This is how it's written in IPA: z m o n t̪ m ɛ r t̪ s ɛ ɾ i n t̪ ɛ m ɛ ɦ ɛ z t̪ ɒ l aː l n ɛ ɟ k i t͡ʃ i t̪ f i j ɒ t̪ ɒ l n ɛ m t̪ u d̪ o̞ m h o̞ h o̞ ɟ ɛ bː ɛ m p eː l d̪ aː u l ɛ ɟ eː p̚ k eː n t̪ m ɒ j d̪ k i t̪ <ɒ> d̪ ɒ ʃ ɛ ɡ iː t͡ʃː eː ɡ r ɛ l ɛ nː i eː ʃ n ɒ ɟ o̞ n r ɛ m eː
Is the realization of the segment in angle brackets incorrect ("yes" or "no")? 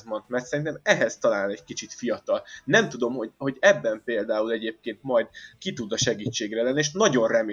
yes